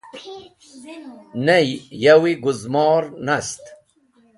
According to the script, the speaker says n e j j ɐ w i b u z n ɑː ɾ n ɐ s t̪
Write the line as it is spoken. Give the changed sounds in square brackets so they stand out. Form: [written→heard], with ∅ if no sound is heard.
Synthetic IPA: n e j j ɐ w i [b→ɡ] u z [n→m] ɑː ɾ n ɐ s t̪